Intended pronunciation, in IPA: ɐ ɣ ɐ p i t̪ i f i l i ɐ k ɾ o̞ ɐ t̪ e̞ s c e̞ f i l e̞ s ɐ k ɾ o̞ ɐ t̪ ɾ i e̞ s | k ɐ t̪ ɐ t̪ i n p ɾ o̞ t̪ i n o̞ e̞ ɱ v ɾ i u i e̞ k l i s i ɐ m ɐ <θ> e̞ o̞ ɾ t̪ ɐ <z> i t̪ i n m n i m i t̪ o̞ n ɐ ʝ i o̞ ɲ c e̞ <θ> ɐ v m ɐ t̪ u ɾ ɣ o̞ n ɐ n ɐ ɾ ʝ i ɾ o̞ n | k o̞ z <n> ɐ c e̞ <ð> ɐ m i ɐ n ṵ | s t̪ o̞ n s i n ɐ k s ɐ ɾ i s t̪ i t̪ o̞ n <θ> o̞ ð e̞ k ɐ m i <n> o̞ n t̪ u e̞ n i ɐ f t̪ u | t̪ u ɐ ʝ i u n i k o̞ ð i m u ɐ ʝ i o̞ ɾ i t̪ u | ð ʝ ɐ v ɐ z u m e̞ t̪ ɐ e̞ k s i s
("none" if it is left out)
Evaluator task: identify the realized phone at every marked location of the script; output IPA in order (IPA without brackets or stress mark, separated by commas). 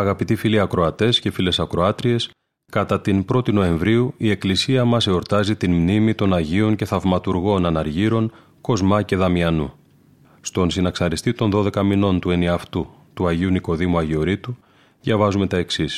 s, z, θ, m, ð, ð, n